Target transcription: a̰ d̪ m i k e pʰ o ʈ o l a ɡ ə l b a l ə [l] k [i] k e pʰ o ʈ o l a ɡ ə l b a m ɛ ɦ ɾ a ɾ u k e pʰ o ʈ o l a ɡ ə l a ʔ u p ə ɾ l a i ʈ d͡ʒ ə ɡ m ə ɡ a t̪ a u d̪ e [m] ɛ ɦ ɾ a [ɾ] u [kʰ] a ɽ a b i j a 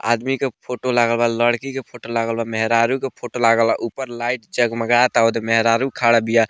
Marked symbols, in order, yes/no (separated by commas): no, yes, yes, yes, yes